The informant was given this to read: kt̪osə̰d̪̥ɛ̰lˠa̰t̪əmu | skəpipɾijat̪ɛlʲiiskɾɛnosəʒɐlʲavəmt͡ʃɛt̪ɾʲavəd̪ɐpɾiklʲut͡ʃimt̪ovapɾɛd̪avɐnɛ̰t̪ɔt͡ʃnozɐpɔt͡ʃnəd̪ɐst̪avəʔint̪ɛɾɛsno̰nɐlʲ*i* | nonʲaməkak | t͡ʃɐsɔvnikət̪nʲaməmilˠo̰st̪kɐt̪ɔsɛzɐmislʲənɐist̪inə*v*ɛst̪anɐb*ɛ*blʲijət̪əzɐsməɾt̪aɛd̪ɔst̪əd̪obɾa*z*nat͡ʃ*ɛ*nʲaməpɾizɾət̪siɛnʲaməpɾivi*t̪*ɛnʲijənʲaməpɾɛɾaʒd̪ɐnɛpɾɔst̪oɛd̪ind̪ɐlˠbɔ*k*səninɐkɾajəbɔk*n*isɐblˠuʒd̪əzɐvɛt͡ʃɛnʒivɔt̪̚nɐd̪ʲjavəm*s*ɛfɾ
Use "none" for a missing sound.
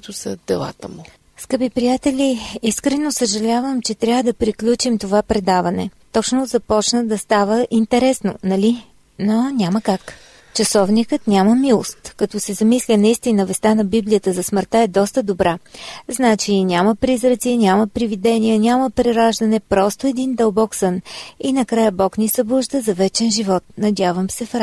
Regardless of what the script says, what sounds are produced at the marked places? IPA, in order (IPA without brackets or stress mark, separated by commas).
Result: i, v, i, z, i, d̪, k, n, s